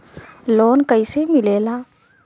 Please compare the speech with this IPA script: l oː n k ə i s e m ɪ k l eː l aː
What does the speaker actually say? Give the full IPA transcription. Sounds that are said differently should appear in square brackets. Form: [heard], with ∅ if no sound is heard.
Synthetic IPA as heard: l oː n k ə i s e m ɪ [∅] l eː l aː